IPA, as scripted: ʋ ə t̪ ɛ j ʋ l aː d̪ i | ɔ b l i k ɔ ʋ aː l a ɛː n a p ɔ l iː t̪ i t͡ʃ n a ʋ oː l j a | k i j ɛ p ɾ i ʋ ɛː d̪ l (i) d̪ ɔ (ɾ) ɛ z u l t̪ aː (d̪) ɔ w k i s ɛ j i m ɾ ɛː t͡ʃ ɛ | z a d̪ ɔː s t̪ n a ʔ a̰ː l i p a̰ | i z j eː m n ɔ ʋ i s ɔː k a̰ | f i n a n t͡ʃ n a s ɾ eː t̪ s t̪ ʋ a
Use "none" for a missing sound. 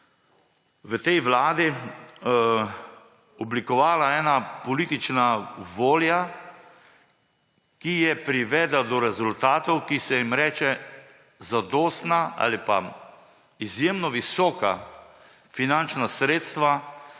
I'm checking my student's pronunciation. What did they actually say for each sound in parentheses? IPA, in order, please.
a, ɾ, t̪

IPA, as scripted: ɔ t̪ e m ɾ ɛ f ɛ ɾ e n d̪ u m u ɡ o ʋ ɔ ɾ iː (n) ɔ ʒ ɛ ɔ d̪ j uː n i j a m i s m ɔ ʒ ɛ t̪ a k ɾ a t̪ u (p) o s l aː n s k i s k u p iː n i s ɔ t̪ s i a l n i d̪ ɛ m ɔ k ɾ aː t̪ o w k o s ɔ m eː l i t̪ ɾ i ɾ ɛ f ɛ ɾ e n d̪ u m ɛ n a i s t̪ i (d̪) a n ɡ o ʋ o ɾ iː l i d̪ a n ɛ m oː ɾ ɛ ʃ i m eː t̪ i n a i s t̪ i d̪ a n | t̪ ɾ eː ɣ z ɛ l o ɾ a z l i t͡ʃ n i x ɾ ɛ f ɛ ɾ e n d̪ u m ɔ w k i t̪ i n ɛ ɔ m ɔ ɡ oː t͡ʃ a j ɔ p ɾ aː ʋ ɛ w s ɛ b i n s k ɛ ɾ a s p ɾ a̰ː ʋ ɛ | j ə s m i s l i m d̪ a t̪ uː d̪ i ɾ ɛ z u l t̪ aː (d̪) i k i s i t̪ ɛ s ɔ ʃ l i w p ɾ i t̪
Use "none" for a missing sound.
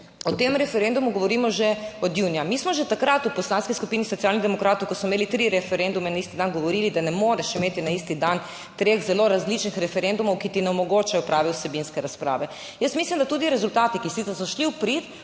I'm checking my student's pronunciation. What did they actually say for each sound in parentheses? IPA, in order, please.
m, p, d̪, t̪

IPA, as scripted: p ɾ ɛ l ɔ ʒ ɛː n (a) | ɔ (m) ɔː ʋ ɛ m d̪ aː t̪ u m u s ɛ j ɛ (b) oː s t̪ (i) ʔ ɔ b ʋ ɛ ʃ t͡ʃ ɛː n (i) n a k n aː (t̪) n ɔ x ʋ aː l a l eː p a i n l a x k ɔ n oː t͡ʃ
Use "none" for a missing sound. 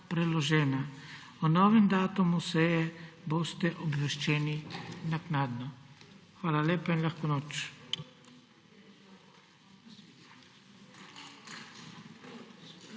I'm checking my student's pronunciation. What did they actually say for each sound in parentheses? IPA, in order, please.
a, n, b, ɛ, i, d̪

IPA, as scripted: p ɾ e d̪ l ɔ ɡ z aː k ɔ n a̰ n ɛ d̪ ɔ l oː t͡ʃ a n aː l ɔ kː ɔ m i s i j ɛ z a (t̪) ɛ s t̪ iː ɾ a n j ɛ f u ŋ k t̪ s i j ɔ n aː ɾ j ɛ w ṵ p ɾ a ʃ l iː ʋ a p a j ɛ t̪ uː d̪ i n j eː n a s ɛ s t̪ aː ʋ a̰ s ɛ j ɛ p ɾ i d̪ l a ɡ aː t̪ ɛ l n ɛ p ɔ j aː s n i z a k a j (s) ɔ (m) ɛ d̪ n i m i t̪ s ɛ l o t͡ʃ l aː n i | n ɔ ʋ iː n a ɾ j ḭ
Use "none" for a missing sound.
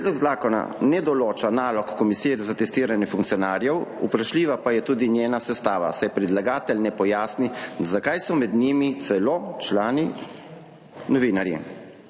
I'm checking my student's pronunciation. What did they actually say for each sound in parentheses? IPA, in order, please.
t̪, s, m

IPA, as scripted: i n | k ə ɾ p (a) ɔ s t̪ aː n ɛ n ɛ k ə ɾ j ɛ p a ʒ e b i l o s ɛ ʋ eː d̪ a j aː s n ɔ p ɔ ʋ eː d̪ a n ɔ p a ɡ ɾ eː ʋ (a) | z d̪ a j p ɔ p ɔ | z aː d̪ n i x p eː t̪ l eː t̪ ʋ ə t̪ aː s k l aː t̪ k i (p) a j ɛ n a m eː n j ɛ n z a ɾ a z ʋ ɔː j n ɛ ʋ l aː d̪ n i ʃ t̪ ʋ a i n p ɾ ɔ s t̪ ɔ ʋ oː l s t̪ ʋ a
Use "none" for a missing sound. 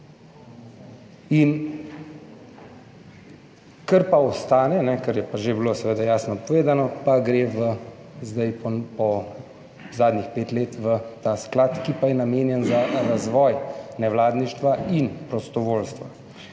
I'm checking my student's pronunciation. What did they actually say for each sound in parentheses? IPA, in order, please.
a, ə, p

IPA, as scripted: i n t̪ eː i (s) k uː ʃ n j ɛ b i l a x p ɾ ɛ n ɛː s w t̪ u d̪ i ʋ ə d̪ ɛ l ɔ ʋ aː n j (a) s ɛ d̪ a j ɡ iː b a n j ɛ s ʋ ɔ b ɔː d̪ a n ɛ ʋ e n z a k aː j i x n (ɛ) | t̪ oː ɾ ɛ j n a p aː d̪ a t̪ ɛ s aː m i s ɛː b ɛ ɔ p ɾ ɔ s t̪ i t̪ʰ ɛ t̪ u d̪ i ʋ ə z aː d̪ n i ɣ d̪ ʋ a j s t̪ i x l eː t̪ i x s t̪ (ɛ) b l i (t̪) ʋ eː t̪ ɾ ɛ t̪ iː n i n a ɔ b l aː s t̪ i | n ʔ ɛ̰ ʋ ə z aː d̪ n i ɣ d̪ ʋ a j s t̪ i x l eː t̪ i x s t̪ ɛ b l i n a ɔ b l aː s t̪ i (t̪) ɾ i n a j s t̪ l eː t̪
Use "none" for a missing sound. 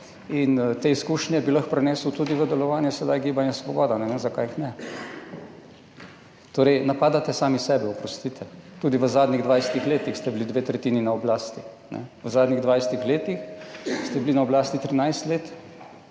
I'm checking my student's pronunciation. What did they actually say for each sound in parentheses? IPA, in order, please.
s, ɛ, ɛ, ɛ, d̪, t̪

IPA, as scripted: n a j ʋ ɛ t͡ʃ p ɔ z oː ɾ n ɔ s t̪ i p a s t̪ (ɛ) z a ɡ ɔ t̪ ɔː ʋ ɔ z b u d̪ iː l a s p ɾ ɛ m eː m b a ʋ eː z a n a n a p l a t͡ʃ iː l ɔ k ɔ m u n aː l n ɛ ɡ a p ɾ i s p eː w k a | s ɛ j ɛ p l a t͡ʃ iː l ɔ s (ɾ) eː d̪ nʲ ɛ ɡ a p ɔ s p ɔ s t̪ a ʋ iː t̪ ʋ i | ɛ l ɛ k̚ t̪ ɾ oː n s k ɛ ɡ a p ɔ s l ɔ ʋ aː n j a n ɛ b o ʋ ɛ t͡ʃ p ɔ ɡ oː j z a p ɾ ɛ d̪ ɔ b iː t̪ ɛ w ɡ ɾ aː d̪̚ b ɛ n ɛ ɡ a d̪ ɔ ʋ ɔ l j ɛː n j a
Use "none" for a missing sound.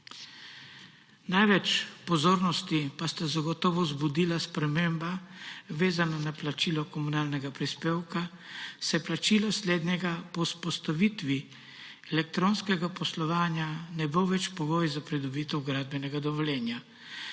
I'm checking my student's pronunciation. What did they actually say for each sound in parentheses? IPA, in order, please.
a, l

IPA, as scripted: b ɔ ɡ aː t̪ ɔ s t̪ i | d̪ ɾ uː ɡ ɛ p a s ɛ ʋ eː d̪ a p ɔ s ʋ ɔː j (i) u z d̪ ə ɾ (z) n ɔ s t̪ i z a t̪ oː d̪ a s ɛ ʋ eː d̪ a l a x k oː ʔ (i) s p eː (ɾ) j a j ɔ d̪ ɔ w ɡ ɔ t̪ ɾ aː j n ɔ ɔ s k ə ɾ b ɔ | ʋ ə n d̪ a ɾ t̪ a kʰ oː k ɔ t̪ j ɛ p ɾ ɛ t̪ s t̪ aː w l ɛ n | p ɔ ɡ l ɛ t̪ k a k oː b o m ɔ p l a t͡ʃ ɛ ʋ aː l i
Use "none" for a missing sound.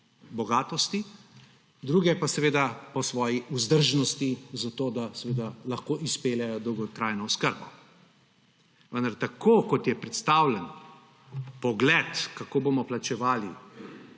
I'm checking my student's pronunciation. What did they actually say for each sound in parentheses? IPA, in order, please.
i, ʒ, i, l

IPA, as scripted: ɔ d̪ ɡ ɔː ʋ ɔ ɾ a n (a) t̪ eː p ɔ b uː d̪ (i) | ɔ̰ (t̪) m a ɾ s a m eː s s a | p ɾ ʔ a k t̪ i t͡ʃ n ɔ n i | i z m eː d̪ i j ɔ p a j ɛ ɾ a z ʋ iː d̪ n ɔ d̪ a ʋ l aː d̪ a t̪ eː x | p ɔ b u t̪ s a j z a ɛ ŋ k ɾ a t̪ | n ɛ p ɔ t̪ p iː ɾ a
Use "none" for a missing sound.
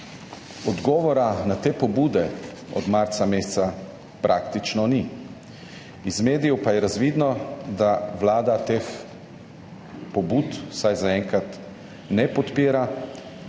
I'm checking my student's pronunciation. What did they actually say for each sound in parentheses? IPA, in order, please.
a, ɛ, d̪

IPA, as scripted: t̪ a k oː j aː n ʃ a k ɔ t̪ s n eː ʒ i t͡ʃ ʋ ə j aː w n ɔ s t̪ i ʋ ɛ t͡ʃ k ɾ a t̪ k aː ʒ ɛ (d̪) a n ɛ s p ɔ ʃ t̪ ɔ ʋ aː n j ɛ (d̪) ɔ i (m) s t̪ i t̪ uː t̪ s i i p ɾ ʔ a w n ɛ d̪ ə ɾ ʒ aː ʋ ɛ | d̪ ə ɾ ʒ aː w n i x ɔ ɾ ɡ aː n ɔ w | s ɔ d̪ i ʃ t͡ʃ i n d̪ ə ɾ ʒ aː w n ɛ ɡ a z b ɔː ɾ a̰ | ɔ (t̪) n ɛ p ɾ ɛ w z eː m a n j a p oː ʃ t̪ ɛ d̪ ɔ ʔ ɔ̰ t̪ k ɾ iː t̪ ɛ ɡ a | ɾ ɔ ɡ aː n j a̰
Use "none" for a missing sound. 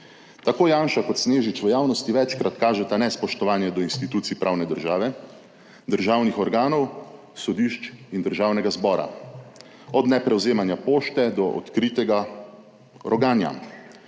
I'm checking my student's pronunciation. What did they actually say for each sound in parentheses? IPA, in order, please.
t̪, d̪, n, d̪

